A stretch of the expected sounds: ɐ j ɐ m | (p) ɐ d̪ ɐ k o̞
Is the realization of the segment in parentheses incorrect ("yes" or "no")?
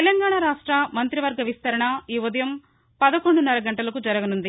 no